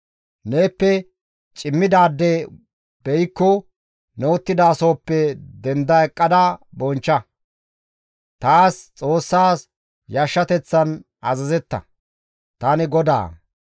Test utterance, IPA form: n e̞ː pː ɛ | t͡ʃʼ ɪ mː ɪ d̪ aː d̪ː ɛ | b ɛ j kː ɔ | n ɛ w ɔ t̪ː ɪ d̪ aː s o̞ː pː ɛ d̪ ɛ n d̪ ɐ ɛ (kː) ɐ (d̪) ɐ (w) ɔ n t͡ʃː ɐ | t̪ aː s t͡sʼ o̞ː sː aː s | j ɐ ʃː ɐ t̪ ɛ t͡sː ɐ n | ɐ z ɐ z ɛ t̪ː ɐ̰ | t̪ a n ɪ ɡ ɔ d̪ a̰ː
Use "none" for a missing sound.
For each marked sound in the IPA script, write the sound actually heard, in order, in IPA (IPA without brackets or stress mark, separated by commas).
kʼː, d̪, b